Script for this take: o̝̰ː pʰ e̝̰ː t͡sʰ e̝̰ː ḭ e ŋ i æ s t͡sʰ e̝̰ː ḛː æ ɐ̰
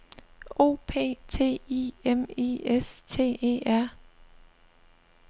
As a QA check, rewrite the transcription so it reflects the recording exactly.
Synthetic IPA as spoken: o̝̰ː pʰ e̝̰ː t͡sʰ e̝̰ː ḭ e m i e s t͡sʰ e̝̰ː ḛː æ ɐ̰